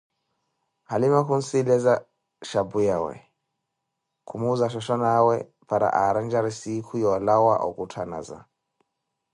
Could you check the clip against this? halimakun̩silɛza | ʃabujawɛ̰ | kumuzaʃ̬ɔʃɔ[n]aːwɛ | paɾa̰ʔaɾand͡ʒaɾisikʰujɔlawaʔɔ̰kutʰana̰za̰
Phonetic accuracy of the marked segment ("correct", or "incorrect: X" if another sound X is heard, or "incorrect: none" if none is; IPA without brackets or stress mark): correct